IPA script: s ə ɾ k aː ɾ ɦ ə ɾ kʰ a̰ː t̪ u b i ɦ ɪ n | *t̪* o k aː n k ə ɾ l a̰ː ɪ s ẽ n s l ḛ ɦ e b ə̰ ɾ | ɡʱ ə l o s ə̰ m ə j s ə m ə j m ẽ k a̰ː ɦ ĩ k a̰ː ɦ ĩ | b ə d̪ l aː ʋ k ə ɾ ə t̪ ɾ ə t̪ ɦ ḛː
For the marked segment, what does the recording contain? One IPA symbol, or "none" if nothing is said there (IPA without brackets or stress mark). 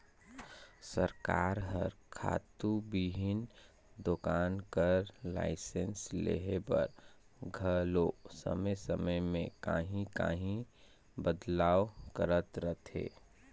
d̪